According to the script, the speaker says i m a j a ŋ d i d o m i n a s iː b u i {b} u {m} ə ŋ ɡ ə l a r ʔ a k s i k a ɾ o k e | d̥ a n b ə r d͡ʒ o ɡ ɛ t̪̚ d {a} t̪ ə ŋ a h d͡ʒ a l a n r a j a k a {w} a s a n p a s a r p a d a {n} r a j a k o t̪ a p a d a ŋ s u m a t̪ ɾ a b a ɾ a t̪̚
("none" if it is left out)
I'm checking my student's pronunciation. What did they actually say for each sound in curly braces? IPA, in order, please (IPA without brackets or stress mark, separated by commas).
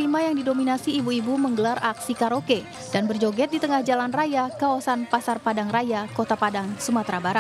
b, m, i, w, ŋ